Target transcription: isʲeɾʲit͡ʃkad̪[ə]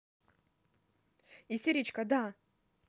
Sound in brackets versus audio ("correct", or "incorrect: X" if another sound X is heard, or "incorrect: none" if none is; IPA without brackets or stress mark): incorrect: a